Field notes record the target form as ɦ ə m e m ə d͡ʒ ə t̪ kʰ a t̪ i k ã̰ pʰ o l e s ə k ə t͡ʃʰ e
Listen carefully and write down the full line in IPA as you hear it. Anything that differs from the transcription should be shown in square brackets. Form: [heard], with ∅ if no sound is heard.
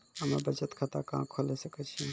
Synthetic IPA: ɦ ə m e [b] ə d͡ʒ ə t̪ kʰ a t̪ [a] k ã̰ [kʰ] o l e s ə k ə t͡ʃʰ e